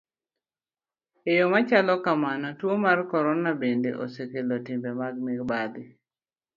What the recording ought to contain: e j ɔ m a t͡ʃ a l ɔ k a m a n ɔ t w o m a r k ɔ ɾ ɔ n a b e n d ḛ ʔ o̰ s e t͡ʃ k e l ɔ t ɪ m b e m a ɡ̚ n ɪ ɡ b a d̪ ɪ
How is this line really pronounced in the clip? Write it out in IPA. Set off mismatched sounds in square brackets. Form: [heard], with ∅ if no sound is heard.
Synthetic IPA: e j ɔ m a t͡ʃ a l ɔ k a m a n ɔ t w o m a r k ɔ ɾ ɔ n a b e n d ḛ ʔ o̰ s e [∅] k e l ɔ t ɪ m b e m a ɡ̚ [m] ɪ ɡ b a d̪ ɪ